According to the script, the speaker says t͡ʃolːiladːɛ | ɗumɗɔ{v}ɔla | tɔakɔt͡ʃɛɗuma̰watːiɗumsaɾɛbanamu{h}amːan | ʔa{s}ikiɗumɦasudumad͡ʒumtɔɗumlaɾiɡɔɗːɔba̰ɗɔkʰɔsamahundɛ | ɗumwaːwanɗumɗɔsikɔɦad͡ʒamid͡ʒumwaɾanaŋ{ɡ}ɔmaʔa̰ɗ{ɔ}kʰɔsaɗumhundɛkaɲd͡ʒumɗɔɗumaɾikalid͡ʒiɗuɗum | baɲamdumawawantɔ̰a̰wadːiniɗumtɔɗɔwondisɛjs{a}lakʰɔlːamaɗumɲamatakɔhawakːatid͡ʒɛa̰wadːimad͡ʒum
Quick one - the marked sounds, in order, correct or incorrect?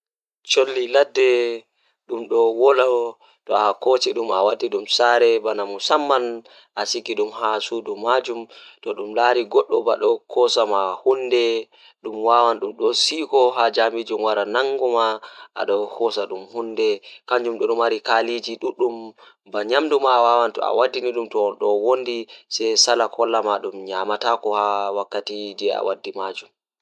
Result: incorrect, incorrect, correct, correct, correct, correct

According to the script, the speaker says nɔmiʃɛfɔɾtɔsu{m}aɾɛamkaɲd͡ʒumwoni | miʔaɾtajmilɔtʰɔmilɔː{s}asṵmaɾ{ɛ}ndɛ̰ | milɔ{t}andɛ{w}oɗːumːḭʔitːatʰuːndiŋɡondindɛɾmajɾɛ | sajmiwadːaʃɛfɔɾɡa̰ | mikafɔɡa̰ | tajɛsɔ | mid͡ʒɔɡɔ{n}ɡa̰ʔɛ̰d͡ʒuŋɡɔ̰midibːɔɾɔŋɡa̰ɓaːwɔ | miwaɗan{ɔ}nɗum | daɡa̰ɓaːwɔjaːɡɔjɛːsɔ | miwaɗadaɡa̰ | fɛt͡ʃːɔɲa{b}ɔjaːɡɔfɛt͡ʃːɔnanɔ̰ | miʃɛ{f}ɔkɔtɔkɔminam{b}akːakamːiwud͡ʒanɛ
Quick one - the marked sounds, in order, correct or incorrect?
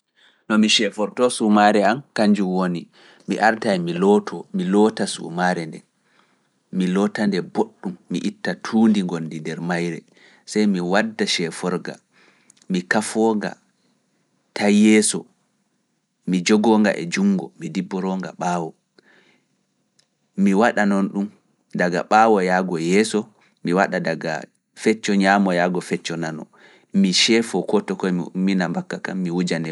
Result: correct, incorrect, correct, correct, incorrect, incorrect, correct, incorrect, correct, correct

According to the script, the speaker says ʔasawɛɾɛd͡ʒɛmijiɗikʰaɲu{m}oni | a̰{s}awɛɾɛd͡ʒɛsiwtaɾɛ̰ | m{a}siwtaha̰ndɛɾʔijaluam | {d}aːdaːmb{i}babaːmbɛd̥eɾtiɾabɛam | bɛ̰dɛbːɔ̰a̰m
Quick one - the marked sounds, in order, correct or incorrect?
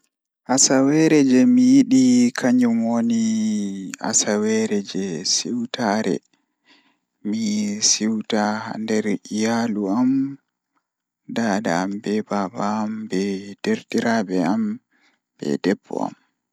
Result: correct, correct, incorrect, correct, incorrect

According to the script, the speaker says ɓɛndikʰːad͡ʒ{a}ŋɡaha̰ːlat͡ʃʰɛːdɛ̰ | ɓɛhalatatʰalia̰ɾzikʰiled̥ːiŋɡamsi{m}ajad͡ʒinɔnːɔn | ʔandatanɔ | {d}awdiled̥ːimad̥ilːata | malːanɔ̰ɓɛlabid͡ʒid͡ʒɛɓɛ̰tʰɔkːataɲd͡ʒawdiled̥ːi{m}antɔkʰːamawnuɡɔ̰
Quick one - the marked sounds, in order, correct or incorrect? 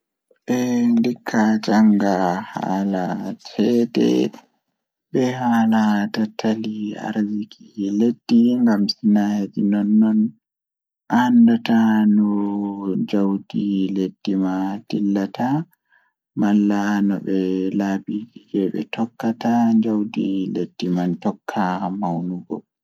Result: correct, incorrect, incorrect, correct

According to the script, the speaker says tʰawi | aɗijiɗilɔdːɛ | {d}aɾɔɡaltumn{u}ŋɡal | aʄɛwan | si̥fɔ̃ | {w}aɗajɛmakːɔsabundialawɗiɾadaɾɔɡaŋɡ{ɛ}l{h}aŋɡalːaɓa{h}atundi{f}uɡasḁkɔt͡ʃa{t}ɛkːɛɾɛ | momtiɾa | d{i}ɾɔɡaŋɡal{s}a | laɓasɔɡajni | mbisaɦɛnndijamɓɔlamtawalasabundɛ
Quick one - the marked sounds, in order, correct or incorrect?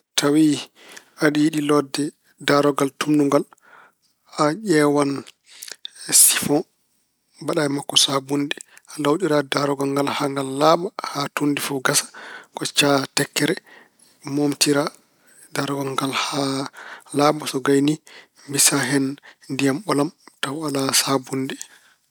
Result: correct, correct, incorrect, incorrect, correct, correct, correct, correct, incorrect, incorrect

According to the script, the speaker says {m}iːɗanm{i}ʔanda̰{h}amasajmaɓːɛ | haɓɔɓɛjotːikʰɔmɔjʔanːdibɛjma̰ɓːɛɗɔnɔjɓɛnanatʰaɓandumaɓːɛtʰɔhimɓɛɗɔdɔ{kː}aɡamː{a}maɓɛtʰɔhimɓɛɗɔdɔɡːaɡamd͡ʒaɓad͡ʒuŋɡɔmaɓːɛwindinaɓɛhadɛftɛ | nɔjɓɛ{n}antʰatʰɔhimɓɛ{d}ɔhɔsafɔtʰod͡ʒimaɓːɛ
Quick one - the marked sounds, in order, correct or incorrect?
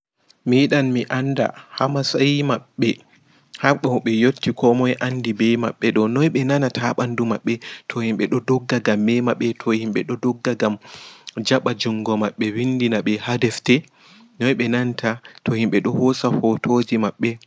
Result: correct, correct, correct, incorrect, incorrect, correct, incorrect

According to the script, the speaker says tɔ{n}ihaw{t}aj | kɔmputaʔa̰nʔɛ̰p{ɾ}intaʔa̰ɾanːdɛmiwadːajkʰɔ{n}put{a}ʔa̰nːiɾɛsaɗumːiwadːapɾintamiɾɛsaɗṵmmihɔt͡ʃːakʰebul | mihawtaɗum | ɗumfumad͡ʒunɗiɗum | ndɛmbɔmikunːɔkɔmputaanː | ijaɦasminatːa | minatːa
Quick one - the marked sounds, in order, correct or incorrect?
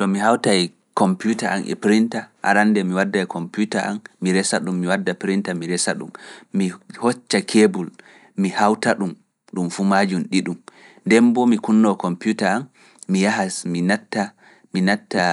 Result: incorrect, correct, correct, incorrect, correct

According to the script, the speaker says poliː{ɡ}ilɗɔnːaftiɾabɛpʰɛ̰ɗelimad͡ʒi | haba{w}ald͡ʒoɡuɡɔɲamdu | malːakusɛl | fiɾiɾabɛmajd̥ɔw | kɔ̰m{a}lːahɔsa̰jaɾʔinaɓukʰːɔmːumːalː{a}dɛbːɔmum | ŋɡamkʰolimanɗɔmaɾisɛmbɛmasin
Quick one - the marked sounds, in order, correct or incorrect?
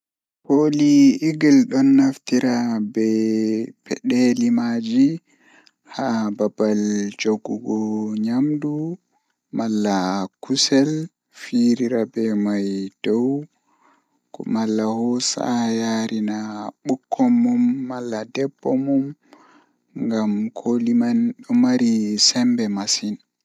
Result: correct, incorrect, correct, correct

